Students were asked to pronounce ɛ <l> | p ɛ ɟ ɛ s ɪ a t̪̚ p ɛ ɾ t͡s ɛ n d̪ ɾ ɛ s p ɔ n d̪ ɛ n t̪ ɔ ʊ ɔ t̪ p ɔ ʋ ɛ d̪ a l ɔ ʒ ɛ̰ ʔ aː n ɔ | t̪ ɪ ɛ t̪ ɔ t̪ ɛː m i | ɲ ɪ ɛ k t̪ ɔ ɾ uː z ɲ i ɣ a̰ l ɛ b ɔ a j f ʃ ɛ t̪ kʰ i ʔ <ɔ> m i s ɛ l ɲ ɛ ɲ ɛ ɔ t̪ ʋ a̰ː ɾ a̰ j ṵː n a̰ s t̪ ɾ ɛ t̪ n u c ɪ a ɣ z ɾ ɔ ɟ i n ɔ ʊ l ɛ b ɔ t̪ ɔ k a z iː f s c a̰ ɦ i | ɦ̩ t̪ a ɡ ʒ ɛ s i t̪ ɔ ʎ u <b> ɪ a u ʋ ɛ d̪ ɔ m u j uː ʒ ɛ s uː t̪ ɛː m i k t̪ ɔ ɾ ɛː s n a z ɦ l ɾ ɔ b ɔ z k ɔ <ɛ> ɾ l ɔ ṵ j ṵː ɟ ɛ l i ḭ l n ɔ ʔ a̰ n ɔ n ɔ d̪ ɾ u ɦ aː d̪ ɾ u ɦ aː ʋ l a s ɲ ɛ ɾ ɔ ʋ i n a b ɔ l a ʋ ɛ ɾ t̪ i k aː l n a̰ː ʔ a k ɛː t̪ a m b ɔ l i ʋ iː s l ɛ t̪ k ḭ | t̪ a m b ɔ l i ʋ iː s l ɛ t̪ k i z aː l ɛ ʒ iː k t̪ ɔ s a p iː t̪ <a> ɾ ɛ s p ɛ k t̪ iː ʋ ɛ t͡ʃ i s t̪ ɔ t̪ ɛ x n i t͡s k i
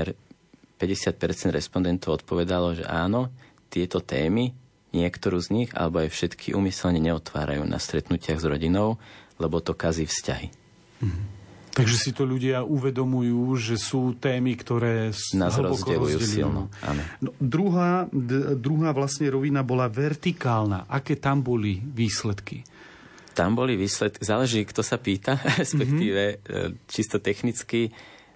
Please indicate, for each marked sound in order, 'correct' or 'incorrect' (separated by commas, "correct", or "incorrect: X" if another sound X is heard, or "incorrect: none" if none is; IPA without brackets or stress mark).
incorrect: ɾ, incorrect: u, incorrect: ɟ, correct, correct